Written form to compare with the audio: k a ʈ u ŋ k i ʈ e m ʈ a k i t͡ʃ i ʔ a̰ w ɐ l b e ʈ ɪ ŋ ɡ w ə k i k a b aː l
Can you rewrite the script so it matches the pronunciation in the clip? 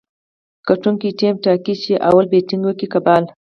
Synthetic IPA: k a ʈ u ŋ k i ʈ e m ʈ a k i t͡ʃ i ʔ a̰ w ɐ l b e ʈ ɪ ŋ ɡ w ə k i k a b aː l